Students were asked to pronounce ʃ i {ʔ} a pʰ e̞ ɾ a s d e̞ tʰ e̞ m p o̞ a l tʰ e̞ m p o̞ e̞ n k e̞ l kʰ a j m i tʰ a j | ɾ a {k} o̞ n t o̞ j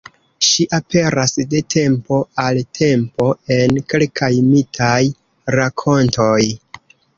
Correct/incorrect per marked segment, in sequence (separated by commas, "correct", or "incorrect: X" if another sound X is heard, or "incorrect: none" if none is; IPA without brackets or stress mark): correct, incorrect: kʰ